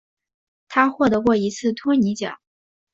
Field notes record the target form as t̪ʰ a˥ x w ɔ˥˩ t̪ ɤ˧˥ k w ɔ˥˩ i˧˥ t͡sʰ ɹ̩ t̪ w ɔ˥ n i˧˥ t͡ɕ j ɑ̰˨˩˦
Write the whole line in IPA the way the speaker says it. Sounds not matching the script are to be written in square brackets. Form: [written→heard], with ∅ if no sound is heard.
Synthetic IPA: t̪ʰ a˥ x w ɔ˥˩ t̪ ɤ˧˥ k w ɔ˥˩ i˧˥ t͡sʰ ɹ̩ [t̪→t̪ʰ] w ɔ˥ n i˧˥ t͡ɕ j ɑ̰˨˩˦